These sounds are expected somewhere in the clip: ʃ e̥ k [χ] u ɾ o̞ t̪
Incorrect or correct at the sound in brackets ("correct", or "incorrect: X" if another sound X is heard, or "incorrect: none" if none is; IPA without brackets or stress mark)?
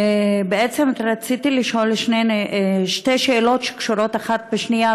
incorrect: ʃ